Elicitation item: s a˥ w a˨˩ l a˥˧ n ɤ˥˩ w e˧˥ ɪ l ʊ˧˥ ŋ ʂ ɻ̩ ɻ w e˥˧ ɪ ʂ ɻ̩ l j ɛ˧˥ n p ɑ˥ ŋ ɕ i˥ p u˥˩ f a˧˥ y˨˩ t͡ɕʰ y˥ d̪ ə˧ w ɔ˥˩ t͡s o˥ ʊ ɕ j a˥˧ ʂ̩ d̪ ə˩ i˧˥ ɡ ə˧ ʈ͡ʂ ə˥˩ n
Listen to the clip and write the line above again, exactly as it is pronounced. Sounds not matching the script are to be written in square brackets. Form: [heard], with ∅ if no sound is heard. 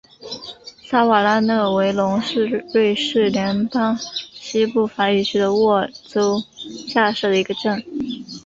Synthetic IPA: s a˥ w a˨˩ l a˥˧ n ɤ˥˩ w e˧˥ ɪ l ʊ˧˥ ŋ ʂ ɻ̩ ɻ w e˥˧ ɪ ʂ ɻ̩ l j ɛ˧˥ n p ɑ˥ ŋ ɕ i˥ p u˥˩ f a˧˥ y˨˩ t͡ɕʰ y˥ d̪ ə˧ w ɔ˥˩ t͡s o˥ ʊ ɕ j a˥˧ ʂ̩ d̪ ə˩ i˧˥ ɡ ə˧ ʈ͡ʂ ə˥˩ n